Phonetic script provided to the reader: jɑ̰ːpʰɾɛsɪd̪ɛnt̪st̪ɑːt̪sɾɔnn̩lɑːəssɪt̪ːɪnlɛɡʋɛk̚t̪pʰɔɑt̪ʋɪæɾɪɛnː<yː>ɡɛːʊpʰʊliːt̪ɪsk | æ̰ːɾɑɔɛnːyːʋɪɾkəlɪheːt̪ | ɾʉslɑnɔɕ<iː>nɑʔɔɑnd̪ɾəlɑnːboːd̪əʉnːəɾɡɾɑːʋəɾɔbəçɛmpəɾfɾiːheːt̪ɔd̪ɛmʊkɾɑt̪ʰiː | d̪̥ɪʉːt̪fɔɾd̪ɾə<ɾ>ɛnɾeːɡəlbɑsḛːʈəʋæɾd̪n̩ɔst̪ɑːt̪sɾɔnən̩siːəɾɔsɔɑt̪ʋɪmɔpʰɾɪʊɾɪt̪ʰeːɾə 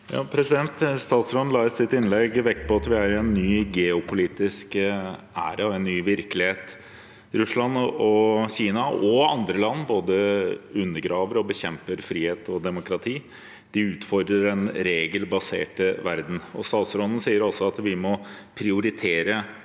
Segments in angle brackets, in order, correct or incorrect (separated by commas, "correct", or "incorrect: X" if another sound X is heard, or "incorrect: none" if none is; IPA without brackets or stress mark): correct, correct, correct